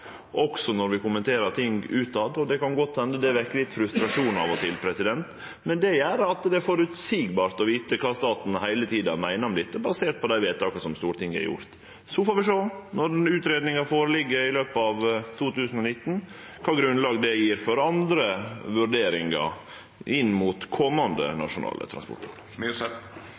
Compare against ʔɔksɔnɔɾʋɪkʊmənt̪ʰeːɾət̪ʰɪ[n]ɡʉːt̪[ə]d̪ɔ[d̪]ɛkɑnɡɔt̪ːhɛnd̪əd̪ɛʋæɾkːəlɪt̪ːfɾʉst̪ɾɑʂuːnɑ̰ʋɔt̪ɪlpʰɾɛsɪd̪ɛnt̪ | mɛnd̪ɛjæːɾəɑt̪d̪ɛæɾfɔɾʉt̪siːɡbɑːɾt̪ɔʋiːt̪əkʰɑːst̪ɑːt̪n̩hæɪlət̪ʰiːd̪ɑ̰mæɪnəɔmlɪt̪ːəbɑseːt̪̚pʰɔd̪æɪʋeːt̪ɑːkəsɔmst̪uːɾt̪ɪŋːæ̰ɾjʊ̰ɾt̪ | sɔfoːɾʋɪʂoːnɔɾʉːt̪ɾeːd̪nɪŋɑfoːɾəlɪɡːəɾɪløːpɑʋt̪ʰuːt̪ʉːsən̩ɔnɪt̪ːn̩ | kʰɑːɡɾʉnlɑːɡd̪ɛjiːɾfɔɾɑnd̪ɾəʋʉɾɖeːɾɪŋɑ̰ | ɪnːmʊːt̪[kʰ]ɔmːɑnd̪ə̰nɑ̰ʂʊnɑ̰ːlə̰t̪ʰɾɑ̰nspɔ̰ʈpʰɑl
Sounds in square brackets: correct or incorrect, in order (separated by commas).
incorrect, incorrect, correct, correct